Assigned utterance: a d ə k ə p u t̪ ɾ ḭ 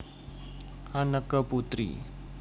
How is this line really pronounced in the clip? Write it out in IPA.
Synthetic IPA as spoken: a n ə k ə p u t̪ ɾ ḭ